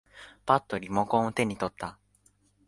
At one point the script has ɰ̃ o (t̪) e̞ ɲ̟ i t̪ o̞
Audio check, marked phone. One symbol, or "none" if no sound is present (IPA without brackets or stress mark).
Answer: t̪